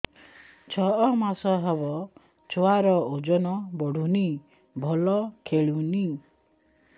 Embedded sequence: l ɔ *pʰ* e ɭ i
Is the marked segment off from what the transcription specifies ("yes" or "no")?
yes